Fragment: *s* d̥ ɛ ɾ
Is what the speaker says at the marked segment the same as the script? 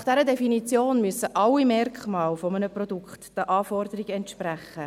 no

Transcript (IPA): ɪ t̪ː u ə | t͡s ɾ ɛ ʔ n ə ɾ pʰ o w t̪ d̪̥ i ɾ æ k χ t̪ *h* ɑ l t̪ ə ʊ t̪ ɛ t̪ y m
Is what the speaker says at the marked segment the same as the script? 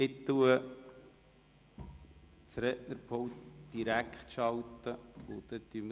no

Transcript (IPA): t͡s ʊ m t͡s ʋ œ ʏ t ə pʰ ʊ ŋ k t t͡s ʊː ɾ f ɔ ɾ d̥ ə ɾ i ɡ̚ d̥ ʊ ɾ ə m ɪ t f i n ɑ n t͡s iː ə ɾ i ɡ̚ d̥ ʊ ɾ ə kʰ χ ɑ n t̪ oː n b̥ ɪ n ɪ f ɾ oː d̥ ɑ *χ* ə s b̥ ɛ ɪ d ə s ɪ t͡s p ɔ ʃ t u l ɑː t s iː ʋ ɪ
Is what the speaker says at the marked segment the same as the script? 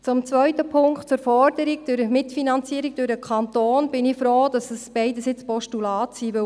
no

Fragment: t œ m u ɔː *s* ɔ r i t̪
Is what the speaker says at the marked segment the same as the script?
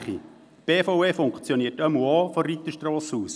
no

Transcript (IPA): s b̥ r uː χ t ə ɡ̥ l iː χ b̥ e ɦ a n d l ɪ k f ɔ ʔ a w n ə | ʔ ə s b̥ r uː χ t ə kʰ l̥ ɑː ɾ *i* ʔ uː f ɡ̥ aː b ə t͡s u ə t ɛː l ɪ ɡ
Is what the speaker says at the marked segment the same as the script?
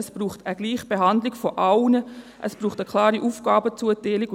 yes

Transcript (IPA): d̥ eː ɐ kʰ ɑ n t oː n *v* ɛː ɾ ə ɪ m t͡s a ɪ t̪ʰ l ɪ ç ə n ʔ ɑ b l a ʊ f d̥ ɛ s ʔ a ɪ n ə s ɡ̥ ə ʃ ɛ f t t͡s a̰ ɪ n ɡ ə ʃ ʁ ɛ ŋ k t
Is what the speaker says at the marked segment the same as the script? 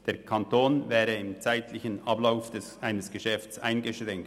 yes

